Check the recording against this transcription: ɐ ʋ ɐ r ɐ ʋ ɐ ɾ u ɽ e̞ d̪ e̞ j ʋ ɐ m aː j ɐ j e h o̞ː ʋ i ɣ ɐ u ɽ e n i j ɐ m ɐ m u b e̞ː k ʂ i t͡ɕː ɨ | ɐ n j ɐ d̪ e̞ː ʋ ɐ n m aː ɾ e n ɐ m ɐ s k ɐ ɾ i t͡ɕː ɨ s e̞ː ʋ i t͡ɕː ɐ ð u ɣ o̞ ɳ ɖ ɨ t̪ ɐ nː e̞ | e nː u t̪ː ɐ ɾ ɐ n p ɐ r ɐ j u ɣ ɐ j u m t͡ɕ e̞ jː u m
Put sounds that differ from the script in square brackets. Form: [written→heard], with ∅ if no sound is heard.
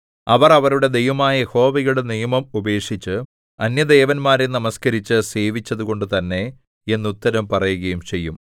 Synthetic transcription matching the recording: ɐ ʋ ɐ r ɐ ʋ ɐ ɾ u ɽ e̞ d̪ e̞ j ʋ ɐ m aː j ɐ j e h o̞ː ʋ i ɣ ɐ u ɽ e n i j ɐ m ɐ m u b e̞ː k ʂ i t͡ɕː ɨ | ɐ n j ɐ d̪ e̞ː ʋ ɐ n m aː ɾ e n ɐ m ɐ s k ɐ ɾ i t͡ɕː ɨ s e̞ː ʋ i t͡ɕː ɐ ð u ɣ o̞ ɳ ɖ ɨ t̪ ɐ nː e̞ | e nː u t̪ː ɐ ɾ ɐ [n→m] p ɐ r ɐ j u ɣ ɐ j u m t͡ɕ e̞ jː u m